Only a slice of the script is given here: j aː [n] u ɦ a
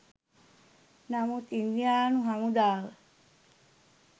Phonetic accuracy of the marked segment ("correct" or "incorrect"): correct